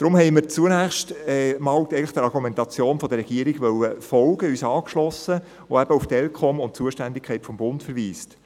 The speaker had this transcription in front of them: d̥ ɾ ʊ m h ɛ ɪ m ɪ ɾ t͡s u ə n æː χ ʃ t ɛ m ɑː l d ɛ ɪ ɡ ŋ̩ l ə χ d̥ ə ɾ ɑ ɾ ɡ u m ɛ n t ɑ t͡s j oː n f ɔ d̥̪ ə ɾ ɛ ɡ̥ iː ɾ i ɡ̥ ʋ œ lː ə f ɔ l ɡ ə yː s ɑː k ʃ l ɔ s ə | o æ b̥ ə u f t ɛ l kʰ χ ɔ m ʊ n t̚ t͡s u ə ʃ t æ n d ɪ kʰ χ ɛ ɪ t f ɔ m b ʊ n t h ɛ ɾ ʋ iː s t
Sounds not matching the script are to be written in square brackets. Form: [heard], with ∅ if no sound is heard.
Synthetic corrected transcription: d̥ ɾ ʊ m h ɛ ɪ m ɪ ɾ t͡s u ə n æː χ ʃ t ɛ m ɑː l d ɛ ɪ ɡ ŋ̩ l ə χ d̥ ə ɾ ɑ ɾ ɡ u m ɛ n t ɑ t͡s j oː n f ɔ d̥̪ ə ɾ ɛ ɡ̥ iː ɾ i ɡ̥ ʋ œ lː ə f ɔ l ɡ ə yː s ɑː k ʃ l ɔ s ə | o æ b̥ ə u f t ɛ l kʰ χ ɔ m ʊ n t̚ t͡s u ə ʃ t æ n d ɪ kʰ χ ɛ ɪ t f ɔ m b ʊ n t [f] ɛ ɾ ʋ iː s t

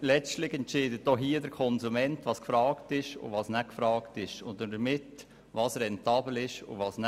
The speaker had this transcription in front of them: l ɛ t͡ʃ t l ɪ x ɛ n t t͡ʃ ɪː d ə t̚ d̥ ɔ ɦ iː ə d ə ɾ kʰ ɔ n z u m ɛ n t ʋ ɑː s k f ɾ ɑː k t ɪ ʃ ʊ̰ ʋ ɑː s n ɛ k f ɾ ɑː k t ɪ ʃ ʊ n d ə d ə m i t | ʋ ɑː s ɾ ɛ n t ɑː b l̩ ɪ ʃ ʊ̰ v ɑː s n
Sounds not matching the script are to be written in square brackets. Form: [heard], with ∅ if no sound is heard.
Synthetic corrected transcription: l ɛ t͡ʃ t l ɪ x ɛ n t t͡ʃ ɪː d ə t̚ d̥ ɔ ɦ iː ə d ə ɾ kʰ ɔ n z u m ɛ n t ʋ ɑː s k f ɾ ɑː k t ɪ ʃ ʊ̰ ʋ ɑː s n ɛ k f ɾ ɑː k t ɪ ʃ ʊ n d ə d ə m [ɪ] t | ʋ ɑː s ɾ ɛ n t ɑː b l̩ ɪ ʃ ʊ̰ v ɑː s n

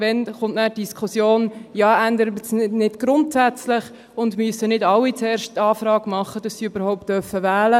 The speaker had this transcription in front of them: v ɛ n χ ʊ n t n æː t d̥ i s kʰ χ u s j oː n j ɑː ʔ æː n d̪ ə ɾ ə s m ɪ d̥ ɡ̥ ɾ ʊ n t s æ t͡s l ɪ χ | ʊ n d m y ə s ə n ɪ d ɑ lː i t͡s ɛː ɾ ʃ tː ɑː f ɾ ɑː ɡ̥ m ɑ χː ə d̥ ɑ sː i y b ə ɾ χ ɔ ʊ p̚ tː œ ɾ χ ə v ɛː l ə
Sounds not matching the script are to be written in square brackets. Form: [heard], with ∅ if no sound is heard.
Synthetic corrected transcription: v ɛ n χ ʊ n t n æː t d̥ i s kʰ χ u s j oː n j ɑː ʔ [æ] n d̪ ə ɾ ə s [n] ɪ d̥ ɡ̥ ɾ ʊ n t s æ t͡s l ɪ χ | ʊ n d m y ə s ə n ɪ d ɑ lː i t͡s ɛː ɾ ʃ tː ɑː f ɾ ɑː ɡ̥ m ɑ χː ə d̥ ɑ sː i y b ə ɾ [h] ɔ ʊ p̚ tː œ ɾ [f] ə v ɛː l ə

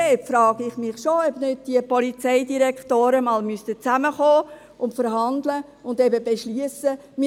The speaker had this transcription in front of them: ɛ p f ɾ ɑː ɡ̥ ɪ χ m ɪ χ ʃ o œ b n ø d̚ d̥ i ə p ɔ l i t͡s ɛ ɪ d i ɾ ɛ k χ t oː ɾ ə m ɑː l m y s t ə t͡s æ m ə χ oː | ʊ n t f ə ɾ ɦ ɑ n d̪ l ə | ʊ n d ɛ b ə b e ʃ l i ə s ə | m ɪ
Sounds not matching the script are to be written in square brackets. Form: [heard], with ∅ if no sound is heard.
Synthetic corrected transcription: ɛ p f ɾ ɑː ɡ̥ ɪ χ m ɪ χ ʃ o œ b n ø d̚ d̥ i ə p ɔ l i t͡s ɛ ɪ d i ɾ ɛ k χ t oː ɾ ə m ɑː l m y s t ə t͡s æ m ə χ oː | ʊ n t f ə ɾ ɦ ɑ n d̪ l ə | ʊ n d ɛ b ə b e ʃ l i ə s ə | m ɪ

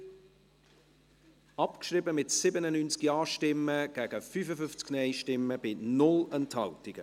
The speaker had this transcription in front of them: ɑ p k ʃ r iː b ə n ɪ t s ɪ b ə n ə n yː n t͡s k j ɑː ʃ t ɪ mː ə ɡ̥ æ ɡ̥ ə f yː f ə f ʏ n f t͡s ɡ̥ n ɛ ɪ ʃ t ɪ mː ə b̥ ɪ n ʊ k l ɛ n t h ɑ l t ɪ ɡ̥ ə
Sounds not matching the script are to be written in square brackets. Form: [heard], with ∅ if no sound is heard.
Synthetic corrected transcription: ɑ p k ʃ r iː b ə [m] ɪ t s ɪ b ə n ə n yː n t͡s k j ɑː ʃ t ɪ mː ə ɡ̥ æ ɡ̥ ə f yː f ə f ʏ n f t͡s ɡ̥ n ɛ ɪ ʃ t ɪ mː ə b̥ ɪ n ʊ [∅] l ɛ n t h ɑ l t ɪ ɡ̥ ə

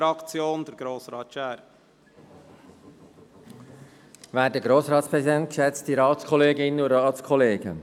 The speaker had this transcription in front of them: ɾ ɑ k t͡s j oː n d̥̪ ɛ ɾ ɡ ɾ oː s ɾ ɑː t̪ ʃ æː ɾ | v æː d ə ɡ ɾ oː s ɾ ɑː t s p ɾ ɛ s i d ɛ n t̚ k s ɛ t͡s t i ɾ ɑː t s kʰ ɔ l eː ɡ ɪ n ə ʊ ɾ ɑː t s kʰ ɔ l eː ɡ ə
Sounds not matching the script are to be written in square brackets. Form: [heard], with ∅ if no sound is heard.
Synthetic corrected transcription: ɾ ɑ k t͡s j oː n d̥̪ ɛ ɾ ɡ ɾ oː s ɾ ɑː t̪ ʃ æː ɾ | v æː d ə ɡ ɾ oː s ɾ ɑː t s p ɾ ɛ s i d ɛ n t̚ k [ʃ] ɛ t͡s t i ɾ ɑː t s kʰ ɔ l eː ɡ ɪ n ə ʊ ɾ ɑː t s kʰ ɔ l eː ɡ ə

